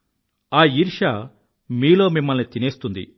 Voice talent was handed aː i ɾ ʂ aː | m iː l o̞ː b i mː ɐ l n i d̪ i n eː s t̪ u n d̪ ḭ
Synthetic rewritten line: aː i ɾ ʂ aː | m iː l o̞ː m i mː ɐ l n i t̪ i n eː s t̪ u n d̪ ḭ